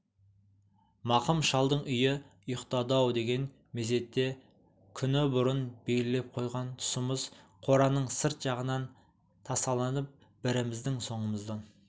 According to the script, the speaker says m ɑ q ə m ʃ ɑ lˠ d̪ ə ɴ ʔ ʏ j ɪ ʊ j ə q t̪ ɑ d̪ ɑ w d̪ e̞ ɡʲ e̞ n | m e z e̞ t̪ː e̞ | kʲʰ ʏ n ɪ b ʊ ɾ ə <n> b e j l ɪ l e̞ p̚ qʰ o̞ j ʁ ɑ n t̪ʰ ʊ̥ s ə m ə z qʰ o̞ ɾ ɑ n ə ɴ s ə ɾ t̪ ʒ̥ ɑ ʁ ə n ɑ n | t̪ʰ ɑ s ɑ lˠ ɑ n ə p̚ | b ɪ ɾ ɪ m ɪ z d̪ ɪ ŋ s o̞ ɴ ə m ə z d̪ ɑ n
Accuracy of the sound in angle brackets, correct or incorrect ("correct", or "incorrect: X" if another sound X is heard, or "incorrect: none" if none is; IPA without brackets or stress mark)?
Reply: correct